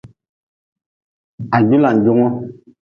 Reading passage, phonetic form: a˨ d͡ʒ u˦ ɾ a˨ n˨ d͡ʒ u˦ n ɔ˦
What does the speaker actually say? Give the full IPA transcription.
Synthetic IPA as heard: a˨ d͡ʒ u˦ l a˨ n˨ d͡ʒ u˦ ŋ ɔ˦